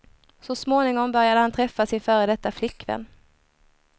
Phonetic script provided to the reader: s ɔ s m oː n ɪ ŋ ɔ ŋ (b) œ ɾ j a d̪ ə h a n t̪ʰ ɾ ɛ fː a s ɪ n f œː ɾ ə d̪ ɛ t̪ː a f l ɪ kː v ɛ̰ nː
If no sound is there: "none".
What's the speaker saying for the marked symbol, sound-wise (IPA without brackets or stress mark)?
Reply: b